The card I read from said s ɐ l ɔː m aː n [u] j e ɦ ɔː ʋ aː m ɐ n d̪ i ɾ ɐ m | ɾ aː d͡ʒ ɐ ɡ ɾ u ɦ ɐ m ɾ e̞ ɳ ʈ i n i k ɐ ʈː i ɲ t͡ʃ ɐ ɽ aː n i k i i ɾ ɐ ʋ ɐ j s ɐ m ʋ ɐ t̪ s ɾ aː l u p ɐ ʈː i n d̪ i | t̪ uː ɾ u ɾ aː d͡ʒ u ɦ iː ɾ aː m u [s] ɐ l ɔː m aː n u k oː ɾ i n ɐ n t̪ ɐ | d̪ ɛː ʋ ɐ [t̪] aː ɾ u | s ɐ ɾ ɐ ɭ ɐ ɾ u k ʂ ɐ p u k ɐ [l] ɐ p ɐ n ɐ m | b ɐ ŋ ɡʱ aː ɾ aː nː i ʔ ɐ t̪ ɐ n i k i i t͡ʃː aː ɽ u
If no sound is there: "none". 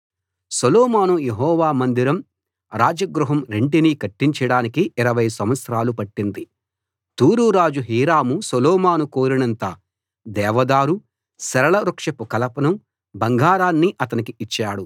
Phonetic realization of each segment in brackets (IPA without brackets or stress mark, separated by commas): u, s, d̪, l